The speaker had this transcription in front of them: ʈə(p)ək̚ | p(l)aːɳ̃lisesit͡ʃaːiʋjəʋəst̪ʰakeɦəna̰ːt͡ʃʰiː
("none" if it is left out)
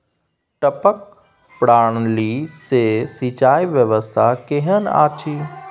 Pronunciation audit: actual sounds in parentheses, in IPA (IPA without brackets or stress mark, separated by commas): p, ɽ